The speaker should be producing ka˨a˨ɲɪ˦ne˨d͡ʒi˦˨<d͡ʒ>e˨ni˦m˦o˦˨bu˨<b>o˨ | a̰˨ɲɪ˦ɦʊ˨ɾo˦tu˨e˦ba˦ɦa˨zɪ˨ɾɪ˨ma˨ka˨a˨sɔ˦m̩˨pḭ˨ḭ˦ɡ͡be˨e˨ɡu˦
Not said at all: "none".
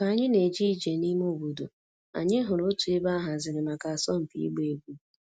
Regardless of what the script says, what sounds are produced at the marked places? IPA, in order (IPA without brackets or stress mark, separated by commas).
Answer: d͡ʒ, d